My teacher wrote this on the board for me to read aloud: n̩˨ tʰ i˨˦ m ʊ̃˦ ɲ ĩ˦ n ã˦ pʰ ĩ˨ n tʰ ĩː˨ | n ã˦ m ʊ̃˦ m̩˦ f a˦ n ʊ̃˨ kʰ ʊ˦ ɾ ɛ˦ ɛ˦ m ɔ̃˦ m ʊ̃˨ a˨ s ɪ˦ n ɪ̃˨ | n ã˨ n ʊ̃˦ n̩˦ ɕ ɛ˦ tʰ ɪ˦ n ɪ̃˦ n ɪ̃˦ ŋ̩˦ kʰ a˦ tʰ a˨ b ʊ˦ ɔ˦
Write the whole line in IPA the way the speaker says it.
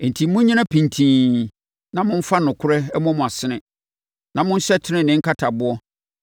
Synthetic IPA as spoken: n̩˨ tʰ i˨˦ m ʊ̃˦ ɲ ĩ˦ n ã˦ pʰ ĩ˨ n tʰ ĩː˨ | n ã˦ m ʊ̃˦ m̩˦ f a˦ n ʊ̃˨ kʰ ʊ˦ ɾ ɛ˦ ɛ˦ m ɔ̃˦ m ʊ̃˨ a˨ s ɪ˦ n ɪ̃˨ | n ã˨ m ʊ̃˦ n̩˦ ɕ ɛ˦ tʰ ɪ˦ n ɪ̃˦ n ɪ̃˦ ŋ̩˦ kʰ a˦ tʰ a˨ b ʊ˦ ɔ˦